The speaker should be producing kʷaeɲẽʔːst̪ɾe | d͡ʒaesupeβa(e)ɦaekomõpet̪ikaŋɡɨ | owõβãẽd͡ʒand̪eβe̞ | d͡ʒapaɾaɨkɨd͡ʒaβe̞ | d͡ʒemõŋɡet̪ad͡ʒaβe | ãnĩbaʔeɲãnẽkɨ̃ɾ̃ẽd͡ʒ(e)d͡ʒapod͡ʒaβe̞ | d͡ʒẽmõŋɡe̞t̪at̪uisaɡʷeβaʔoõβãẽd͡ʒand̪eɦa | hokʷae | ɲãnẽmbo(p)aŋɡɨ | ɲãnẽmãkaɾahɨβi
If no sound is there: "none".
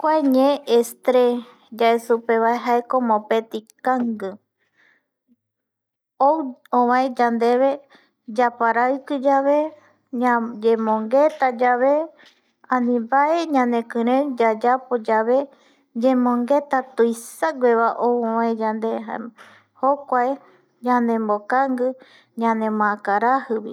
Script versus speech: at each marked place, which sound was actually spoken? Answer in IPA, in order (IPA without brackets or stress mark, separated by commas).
e, a, k